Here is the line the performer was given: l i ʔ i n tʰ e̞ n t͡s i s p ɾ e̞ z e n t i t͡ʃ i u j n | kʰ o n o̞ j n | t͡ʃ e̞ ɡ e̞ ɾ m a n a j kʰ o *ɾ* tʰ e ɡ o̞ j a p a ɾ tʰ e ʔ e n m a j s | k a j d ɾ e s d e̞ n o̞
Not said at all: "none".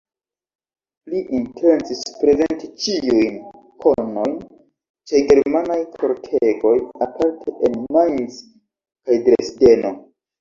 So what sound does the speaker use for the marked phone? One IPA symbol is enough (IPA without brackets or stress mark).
ɾ